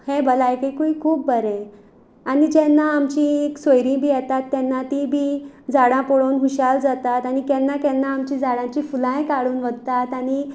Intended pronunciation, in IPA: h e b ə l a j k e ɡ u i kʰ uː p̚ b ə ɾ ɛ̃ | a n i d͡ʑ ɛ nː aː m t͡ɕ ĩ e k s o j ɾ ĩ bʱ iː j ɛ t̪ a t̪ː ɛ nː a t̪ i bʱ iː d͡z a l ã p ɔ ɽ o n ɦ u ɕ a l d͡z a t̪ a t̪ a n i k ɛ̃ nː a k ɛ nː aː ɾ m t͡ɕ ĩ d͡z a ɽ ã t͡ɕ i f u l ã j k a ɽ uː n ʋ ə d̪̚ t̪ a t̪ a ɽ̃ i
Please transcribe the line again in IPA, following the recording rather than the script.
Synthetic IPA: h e b ə l a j k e k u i kʰ uː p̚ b ə ɾ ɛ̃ | a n i d͡ʑ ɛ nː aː m t͡ɕ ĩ e k s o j ɾ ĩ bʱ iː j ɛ t̪ a t̪ː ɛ nː a t̪ i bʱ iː d͡z a ɽ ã p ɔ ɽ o n ɦ u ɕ a l d͡z a t̪ a t̪ a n i k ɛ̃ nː a k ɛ nː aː m t͡ɕ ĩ d͡z a ɽ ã t͡ɕ i f u l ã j k a ɽ uː n ʋ ə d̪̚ t̪ a t̪ a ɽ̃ i

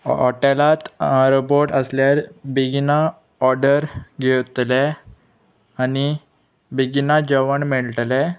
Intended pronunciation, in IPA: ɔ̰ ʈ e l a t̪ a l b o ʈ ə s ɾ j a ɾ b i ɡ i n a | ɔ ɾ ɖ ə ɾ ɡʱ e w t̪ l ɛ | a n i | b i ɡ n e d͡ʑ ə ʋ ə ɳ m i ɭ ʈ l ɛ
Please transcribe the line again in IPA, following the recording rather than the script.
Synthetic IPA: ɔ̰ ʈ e l a t̪ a ɾ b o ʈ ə s l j a ɾ b i ɡ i n a | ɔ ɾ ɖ ə ɾ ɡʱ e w t̪ l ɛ | a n i | b i ɡ n a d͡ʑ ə ʋ ə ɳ m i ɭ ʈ l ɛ

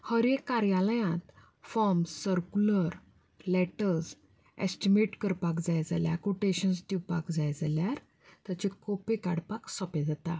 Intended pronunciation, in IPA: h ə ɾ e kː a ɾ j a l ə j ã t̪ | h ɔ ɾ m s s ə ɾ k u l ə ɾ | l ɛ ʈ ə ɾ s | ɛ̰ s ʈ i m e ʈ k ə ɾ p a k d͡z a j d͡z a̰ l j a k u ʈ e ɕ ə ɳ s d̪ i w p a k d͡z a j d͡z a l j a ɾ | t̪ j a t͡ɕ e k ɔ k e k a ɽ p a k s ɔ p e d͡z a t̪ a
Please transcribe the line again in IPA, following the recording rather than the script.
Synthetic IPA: h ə ɾ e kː a ɾ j a l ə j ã t̪ | f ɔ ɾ m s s ə ɾ k u l ə ɾ | l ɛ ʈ ə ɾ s | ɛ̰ s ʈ i m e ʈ k ə ɾ p a k d͡z a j d͡z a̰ l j a k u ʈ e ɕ ə n s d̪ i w p a k d͡z a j d͡z a l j a ɾ | t̪ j a t͡ɕ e k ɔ p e k a ɽ p a k s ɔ p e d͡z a t̪ a

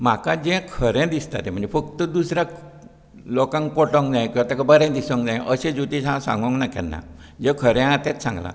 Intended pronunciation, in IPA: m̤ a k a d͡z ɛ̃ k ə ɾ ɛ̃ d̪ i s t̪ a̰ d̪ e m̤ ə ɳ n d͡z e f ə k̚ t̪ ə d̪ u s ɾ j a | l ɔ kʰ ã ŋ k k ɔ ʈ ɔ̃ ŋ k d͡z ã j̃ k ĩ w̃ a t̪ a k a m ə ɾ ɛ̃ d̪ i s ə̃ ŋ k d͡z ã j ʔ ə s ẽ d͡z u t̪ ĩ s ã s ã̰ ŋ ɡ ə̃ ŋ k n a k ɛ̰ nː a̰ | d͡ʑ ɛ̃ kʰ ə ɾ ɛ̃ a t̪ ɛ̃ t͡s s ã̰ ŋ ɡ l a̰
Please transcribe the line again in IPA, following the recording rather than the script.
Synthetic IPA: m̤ a k a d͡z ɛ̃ kʰ ə ɾ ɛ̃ d̪ i s t̪ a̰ t̪ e m̤ ə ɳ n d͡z e f ə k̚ t̪ ə d̪ u s ɾ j a | l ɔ k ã ŋ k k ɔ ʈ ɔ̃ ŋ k d͡z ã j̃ k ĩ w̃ a t̪ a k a b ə ɾ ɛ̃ d̪ i s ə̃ ŋ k d͡z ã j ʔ ə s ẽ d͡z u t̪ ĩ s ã s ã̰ ŋ ɡ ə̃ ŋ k n a k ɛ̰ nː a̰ | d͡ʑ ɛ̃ kʰ ə ɾ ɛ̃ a t̪ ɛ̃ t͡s s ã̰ ŋ ɡ l a̰

